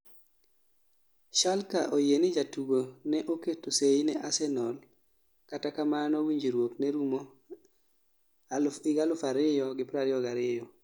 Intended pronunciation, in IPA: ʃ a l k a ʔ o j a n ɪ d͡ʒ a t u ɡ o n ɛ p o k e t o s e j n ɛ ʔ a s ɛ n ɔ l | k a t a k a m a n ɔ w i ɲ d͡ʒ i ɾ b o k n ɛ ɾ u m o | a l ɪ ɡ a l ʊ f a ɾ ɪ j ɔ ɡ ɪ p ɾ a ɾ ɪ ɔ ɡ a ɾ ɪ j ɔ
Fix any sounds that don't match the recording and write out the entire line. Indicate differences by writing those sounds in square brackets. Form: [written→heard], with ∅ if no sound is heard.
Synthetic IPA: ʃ a l k a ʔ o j [a→e] n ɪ d͡ʒ a t u ɡ o n ɛ [p→ʔ] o k e t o s e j n ɛ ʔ a s ɛ n ɔ l | k a t a k a m a n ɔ w i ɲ d͡ʒ i ɾ [b→w] o k n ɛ ɾ u m o | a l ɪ ɡ a l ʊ f a ɾ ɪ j ɔ ɡ ɪ p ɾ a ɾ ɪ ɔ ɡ a ɾ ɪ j ɔ